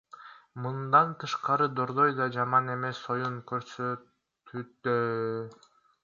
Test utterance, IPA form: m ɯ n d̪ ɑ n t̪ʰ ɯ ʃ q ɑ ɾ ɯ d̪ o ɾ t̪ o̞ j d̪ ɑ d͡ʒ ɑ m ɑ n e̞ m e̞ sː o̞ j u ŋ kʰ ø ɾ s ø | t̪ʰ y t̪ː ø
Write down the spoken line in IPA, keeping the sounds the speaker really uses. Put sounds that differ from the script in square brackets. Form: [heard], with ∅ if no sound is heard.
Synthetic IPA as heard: m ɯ n d̪ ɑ n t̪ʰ ɯ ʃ q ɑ ɾ ɯ d̪ o ɾ [d̪] o̞ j d̪ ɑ d͡ʒ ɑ m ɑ n e̞ m e̞ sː o̞ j u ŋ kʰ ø ɾ s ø | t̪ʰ y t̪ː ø